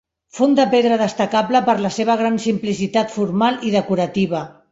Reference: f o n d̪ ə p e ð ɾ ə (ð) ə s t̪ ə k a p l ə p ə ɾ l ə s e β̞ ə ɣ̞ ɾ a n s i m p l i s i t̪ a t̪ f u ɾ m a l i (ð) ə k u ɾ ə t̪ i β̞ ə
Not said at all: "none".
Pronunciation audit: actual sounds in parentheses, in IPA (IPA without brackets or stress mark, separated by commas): ð, ð